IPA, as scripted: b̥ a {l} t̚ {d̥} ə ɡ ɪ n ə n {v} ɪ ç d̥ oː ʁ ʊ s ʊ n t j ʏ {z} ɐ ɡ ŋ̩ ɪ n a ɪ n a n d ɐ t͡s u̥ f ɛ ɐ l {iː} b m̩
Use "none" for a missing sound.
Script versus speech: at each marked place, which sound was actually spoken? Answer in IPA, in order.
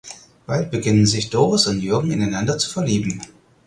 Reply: l, b̥, z, none, iː

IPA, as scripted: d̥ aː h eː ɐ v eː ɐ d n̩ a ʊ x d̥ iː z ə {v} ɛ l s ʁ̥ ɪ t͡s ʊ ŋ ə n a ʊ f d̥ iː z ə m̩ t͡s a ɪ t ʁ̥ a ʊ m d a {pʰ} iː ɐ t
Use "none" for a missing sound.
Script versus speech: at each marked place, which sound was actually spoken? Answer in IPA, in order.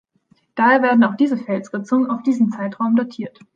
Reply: f, tʰ

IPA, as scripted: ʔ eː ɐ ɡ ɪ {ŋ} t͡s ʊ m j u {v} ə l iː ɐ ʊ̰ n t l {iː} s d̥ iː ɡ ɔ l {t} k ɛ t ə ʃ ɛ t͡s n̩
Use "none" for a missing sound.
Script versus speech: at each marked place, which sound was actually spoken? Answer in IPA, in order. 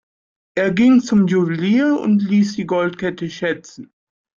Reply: ŋ, v, iː, t

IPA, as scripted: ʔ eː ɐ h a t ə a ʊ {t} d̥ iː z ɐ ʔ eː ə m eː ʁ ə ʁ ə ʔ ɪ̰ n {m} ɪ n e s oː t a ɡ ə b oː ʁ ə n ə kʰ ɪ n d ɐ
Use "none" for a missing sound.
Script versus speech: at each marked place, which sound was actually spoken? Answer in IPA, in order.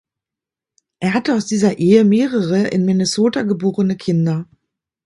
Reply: s, m

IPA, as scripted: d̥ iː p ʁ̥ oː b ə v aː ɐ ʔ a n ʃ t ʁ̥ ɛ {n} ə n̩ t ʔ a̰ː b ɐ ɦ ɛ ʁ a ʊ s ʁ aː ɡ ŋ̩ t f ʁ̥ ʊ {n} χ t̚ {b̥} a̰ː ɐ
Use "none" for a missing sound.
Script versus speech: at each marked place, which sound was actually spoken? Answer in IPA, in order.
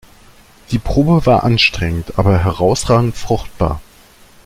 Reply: ŋ, none, b̥

